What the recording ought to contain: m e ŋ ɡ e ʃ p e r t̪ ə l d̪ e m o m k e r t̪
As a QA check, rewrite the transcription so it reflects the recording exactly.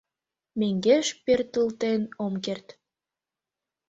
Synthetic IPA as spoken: m e ŋ ɡ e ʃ p e r t̪ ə l t̪ e n o m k e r t̪